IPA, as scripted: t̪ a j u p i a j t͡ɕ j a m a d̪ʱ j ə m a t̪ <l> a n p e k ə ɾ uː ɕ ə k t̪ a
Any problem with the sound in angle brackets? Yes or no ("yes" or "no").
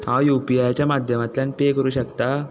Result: no